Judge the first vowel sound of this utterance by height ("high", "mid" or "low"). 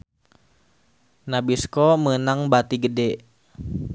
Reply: low